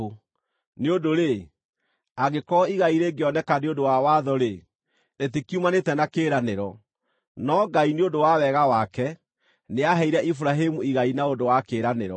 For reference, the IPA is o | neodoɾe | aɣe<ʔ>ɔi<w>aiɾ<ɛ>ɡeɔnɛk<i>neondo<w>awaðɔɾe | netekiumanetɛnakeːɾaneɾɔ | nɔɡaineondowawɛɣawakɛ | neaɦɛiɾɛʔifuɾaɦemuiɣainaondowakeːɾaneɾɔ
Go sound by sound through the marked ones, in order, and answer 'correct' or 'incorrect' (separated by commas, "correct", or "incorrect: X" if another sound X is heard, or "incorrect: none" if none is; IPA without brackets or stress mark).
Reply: incorrect: k, incorrect: ɣ, incorrect: e, incorrect: a, correct